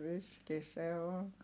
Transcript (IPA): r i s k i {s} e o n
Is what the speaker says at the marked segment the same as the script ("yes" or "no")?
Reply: yes